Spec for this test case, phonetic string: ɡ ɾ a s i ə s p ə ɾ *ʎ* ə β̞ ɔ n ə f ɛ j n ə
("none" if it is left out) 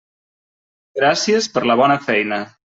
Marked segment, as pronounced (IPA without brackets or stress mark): l